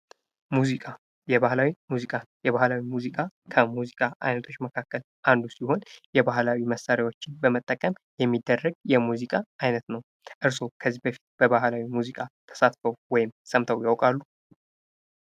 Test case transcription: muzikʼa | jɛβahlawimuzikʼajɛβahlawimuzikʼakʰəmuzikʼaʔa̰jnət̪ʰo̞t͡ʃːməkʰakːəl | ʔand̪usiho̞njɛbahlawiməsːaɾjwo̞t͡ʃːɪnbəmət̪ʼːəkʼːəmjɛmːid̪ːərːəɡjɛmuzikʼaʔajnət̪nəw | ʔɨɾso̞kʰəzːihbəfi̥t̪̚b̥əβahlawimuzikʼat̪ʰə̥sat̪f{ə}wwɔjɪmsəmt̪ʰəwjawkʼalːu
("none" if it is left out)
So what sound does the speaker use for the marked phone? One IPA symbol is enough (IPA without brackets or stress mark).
ə